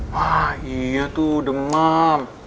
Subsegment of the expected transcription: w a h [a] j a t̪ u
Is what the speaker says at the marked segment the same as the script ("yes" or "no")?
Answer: no